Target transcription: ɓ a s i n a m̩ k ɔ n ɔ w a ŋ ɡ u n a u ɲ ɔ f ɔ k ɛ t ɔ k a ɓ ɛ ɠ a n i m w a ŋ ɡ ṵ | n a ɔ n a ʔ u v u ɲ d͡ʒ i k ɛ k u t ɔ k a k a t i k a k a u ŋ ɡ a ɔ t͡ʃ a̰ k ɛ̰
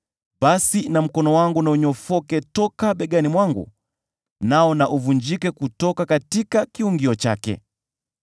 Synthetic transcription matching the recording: ɓ a s i n a m̩ k ɔ n ɔ w a ŋ ɡ u n a u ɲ ɔ f ɔ k ɛ t ɔ k a ɓ ɛ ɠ a n i m w a ŋ ɡ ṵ | n a ɔ n a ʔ u v u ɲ d͡ʒ i k ɛ k u t ɔ k a k a t i k a k i u ŋ ɡ i ɔ t͡ʃ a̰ k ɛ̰